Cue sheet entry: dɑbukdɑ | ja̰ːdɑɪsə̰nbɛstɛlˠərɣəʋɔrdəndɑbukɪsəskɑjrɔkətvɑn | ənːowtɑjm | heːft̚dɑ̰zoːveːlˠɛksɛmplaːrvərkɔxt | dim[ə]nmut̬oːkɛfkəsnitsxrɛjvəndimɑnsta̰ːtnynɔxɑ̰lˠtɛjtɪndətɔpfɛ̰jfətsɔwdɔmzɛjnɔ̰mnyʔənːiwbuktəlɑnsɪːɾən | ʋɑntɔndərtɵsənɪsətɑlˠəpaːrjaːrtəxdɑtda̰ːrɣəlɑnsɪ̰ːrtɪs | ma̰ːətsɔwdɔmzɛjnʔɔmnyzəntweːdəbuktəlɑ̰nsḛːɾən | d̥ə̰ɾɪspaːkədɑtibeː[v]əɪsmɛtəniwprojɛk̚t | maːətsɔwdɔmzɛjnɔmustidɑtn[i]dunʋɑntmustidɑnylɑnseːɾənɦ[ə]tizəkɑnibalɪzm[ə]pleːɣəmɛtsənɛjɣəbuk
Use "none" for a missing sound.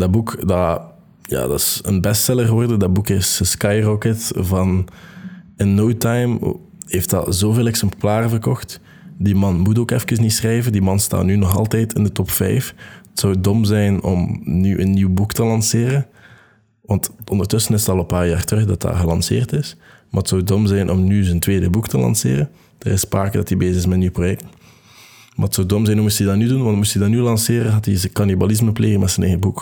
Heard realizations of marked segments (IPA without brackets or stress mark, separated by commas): ɑ, z, y, ɑ, ə